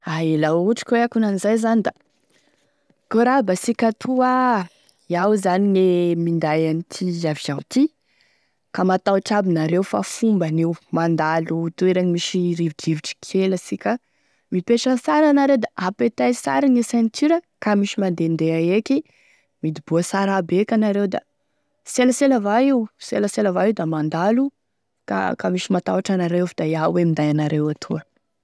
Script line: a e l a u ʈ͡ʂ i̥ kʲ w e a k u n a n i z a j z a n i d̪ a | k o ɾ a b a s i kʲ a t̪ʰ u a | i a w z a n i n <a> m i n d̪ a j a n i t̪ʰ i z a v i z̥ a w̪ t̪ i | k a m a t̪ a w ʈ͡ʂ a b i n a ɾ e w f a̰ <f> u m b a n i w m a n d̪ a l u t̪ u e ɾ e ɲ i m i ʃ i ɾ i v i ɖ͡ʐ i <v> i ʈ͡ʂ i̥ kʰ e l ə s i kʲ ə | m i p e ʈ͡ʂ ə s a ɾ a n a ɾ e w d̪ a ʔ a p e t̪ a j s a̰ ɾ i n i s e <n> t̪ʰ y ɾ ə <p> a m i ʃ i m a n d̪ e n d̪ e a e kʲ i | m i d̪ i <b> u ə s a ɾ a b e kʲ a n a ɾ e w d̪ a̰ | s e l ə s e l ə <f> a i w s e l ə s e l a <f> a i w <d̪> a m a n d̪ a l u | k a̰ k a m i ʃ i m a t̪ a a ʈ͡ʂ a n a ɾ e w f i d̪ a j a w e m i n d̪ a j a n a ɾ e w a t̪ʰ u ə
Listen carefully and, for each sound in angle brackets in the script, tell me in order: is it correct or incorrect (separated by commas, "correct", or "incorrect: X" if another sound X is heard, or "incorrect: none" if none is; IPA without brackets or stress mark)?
incorrect: e, correct, correct, correct, incorrect: k, correct, incorrect: v, incorrect: v, correct